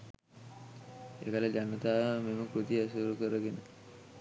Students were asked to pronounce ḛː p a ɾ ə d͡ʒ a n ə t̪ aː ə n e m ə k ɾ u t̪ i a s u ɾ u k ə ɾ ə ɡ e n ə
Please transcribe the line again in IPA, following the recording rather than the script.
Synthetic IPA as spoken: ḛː k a l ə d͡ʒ a n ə t̪ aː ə m e m ə k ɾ u t̪ i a s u ɾ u k ə ɾ ə ɡ e n ə